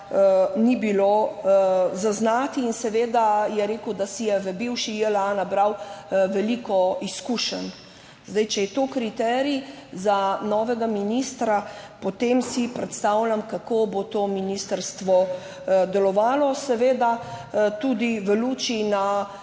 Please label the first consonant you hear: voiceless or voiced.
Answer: voiced